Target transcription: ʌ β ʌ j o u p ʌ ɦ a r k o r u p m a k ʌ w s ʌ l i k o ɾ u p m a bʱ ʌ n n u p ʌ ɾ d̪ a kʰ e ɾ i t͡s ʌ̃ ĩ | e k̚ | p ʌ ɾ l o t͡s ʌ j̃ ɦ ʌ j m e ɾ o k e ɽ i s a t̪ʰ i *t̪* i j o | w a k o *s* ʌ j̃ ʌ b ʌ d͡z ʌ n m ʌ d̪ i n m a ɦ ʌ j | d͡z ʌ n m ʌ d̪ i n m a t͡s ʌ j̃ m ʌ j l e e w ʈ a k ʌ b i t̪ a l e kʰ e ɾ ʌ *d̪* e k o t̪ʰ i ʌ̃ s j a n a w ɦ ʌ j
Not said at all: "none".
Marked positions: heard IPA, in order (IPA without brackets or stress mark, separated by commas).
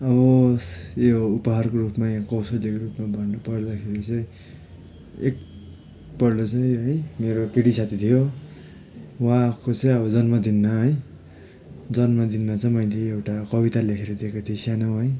t̪ʰ, t͡s, d̪